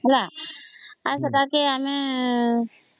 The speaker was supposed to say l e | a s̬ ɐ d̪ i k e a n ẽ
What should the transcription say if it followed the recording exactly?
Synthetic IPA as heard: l a | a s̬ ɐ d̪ a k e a m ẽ

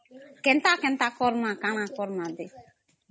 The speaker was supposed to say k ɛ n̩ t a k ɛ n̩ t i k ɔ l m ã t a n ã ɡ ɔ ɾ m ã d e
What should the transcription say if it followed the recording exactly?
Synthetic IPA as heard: k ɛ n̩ t a k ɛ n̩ t a k ɔ ɾ m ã k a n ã k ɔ ɾ m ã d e

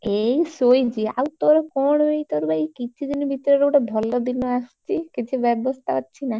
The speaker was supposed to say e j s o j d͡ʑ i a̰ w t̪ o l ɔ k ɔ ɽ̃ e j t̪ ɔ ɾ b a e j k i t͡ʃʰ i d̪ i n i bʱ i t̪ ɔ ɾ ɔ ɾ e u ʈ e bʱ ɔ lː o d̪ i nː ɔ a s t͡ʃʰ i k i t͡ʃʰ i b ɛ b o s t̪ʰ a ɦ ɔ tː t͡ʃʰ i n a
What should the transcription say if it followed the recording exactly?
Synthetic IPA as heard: e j s o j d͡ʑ i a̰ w t̪ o ɾ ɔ k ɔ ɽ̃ e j t̪ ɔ ɾ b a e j k i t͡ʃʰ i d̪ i n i bʱ i t̪ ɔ ɾ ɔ ɾ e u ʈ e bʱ ɔ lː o d̪ i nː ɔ a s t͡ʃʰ i k i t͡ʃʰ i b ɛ b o s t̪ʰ a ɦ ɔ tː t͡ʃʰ i n a

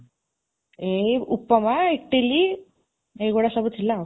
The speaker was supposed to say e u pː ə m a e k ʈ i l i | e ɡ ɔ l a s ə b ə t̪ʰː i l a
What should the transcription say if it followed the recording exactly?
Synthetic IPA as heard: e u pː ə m a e k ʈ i l i | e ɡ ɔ ɽ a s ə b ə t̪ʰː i l a

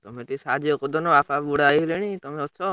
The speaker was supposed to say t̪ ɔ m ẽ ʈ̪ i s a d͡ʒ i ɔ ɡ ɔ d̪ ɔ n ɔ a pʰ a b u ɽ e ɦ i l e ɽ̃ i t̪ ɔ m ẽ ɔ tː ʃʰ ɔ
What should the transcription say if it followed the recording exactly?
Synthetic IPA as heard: t̪ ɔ m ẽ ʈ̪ i s a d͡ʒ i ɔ k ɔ d̪ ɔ n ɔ a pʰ a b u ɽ a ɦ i l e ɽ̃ i t̪ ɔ m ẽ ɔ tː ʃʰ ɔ

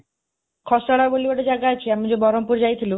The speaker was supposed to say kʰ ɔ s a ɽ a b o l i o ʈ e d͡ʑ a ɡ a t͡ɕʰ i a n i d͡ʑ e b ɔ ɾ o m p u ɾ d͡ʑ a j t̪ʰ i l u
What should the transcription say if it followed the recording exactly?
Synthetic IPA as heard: kʰ ɔ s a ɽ a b o l i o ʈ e d͡ʑ a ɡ a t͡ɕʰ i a m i d͡ʑ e b ɔ ɾ o m p u ɾ d͡ʑ a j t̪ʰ i l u

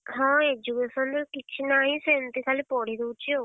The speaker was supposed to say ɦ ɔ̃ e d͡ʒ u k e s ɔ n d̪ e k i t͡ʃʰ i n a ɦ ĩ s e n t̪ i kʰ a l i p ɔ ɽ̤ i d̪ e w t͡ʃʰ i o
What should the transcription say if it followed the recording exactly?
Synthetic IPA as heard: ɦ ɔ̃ e d͡ʒ u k e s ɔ n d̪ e k i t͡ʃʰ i n a ɦ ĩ s e n t̪ i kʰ a l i p ɔ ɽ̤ i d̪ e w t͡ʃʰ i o

